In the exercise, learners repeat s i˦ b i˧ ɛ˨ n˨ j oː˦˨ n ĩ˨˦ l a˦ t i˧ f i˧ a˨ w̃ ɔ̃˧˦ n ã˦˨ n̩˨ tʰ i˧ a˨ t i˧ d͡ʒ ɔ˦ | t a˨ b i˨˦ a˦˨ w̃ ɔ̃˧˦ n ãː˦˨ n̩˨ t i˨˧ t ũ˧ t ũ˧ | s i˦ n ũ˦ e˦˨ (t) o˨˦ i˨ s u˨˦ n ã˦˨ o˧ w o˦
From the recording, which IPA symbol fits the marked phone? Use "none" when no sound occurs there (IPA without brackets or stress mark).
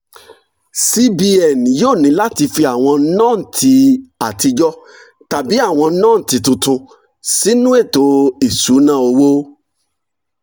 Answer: t